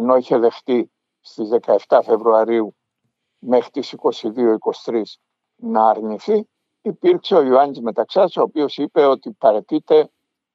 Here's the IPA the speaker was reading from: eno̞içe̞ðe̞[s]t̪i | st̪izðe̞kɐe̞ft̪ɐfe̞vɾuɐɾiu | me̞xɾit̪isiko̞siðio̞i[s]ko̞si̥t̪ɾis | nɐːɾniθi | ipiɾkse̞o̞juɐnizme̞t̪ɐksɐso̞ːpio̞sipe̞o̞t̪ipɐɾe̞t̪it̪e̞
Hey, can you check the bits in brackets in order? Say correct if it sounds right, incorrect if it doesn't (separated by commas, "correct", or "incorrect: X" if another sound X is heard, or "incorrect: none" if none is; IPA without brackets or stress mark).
incorrect: x, incorrect: none